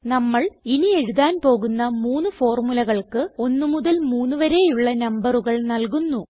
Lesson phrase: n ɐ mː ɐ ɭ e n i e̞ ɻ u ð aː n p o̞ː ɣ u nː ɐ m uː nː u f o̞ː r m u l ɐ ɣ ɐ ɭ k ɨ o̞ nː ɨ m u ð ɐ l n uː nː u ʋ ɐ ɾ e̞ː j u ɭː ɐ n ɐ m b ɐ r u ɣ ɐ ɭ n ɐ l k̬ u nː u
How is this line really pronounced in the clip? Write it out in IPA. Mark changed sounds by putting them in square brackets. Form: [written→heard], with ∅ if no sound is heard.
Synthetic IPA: n ɐ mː ɐ ɭ [e→i] n i e̞ ɻ u ð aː n p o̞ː ɣ u nː ɐ m uː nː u f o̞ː r m u l ɐ ɣ ɐ ɭ k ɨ o̞ nː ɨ m u ð ɐ l [n→m] uː nː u ʋ ɐ ɾ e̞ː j u ɭː ɐ n ɐ m b ɐ r u ɣ ɐ ɭ n ɐ l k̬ u nː u